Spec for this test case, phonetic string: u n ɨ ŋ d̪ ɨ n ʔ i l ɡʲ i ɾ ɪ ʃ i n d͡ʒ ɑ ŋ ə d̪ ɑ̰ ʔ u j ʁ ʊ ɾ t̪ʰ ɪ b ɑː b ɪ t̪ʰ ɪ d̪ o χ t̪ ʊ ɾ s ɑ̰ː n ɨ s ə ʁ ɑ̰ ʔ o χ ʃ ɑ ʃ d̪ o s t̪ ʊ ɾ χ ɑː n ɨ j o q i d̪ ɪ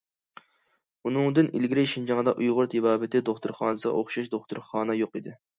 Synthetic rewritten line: u n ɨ ŋ d̪ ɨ n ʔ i l ɡʲ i ɾ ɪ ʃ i n d͡ʒ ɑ ŋ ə d̪ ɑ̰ ʔ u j ʁ ʊ ɾ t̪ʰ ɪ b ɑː b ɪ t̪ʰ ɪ d̪ o χ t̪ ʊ ɾ χ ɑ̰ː n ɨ s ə ʁ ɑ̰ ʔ o χ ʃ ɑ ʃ d̪ o χ t̪ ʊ ɾ χ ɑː n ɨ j o q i d̪ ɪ